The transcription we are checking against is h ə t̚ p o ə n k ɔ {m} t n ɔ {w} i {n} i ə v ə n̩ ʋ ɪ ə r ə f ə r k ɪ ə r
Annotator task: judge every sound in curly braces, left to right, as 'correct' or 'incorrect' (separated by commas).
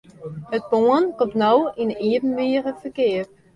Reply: correct, correct, correct